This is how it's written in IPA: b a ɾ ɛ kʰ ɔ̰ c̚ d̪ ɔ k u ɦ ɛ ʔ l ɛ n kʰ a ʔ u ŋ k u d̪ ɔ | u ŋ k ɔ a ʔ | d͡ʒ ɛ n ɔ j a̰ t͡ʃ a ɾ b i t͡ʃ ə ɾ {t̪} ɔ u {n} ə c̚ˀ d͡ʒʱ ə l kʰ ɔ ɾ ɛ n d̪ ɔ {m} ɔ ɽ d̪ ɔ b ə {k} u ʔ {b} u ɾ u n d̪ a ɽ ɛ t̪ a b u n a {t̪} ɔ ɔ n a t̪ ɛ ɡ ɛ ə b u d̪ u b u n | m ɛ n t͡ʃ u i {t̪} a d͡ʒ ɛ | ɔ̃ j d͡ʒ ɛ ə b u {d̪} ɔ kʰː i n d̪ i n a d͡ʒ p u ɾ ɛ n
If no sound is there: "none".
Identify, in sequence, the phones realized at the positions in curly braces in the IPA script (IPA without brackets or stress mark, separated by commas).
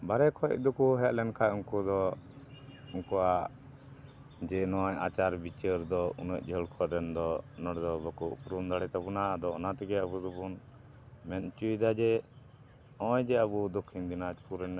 d̪, n, n, k, p, d̪, d̪, d̪